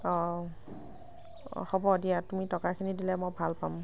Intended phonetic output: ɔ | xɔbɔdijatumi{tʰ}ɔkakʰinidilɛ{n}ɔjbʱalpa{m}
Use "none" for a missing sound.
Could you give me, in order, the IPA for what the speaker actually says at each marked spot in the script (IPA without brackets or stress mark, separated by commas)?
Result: t, m, m